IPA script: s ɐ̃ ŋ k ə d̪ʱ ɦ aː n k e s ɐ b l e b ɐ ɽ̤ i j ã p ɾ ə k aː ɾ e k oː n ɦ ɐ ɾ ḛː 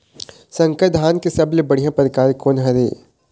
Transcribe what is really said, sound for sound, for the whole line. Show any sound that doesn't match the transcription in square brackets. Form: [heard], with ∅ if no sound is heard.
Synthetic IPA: s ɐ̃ ŋ k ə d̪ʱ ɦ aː n k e s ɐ b l e b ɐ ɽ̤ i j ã p ɾ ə k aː ɾ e k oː n ɦ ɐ ɾ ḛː